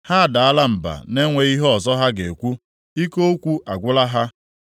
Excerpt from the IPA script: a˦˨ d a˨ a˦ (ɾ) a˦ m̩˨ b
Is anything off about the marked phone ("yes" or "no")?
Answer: yes